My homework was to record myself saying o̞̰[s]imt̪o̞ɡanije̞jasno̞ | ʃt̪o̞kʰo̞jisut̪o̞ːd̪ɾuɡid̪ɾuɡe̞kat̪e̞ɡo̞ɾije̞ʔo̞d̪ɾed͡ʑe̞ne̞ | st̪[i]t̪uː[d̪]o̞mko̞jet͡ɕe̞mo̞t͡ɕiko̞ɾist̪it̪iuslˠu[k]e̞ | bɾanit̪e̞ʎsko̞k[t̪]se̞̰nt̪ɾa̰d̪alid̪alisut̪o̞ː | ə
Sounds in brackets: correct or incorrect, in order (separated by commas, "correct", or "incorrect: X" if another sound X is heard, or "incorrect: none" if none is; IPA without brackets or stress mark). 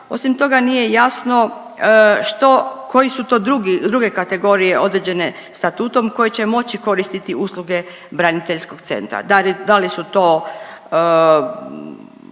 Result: correct, incorrect: a, incorrect: t̪, incorrect: ɡ, correct